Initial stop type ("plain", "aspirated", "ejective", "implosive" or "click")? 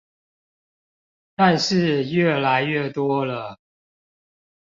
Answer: plain